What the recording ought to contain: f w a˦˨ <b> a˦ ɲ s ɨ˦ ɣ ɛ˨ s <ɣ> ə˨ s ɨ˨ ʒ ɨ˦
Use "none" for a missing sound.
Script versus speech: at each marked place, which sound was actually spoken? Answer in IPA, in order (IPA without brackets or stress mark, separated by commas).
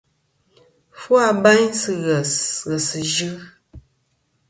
b, ɣ